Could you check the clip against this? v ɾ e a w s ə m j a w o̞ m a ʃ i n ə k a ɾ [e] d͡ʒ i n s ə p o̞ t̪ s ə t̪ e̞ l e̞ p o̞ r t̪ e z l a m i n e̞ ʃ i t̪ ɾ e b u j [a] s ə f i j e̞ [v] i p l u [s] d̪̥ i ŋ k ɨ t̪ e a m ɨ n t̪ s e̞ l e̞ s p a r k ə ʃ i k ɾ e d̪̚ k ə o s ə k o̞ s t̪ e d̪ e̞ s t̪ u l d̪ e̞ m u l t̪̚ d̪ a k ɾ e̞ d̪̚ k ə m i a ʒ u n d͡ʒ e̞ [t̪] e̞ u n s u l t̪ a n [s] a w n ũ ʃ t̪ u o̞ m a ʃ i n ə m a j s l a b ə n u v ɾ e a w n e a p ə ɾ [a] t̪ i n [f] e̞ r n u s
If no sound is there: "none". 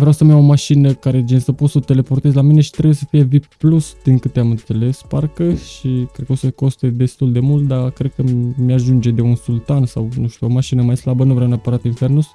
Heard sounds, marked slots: e, e, v, s, d̪, s, a, f

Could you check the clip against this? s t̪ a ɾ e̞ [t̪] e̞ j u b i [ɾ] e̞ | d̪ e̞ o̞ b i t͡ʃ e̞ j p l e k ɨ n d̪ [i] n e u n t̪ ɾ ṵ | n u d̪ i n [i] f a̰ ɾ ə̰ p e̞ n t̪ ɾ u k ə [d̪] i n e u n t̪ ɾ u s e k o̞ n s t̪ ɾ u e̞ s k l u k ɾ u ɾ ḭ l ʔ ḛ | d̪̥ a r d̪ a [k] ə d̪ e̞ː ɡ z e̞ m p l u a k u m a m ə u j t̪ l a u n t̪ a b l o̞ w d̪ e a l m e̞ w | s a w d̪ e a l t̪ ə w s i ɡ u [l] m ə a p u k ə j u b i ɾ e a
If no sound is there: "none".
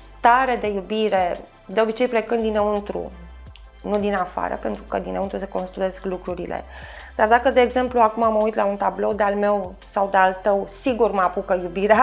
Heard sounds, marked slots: d̪, ɾ, i, a, d̪, k, r

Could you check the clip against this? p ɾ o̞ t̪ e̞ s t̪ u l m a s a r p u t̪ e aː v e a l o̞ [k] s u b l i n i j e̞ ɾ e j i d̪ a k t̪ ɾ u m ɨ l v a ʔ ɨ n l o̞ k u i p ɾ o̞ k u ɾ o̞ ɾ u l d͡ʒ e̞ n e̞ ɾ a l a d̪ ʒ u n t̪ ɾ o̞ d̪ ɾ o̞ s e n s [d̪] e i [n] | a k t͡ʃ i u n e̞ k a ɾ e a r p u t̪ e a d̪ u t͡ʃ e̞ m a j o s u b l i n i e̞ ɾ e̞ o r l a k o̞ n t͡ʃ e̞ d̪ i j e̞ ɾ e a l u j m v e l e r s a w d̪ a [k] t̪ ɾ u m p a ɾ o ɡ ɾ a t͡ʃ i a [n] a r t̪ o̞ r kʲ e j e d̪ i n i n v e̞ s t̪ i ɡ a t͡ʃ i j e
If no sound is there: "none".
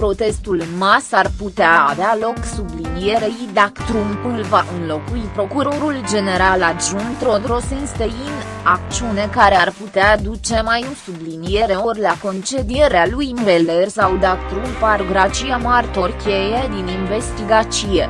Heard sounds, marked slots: k, t̪, n, k, m

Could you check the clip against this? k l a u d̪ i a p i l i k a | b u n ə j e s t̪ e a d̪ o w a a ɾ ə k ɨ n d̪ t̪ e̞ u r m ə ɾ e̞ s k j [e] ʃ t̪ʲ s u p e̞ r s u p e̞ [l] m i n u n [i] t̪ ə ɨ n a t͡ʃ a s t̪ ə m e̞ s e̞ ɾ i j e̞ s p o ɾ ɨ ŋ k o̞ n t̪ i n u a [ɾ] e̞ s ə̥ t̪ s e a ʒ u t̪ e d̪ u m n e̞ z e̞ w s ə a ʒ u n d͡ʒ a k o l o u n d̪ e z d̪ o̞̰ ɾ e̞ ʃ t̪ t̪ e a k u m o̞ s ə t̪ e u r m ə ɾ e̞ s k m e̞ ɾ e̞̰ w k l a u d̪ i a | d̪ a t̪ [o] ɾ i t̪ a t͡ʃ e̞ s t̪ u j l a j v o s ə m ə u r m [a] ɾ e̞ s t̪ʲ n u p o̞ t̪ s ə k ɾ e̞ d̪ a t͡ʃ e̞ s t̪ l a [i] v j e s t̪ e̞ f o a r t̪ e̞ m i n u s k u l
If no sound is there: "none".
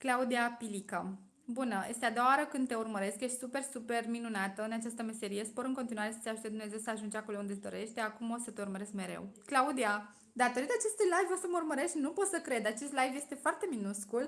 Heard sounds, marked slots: e, r, a, ɾ, o, ə, j

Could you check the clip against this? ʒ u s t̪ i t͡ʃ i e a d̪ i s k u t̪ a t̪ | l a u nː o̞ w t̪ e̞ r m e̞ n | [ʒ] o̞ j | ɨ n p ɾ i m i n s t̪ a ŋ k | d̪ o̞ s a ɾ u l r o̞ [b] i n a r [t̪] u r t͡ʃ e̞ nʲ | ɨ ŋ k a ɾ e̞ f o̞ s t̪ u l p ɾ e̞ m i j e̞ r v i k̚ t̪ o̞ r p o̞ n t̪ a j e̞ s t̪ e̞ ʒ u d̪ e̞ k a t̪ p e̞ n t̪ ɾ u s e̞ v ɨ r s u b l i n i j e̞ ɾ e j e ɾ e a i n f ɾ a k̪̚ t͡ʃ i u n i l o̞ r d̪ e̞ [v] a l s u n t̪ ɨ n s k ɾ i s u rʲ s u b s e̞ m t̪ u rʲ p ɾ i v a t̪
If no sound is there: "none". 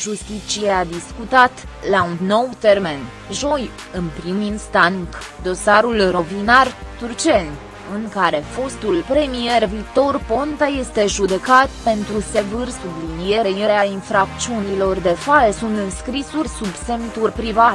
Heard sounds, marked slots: ʒ, v, t̪, f

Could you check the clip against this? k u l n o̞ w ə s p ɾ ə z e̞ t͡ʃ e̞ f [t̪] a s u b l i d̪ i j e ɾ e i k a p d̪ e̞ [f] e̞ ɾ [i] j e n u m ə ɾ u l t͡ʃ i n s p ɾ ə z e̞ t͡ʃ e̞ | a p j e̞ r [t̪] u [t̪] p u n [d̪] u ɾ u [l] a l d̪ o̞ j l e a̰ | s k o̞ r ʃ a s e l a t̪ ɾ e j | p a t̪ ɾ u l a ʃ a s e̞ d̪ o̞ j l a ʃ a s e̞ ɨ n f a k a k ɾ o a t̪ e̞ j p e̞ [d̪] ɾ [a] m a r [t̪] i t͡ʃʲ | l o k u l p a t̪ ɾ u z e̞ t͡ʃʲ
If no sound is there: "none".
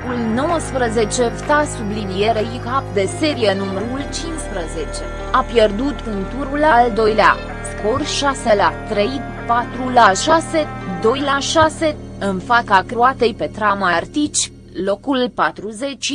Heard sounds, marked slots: t̪, s, i, d̪, t̪, t̪, l, t̪, a, t̪

